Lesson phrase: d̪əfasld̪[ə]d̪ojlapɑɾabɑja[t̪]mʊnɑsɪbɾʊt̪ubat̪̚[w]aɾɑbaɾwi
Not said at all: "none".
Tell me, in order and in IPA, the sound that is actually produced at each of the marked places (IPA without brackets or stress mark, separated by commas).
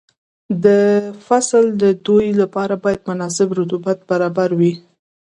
ə, d̪, b